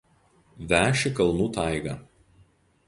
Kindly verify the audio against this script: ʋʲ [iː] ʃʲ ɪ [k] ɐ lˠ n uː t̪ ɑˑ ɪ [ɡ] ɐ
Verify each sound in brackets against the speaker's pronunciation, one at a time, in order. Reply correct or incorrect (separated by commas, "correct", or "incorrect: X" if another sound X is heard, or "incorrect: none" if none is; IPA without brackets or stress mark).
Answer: incorrect: æː, correct, correct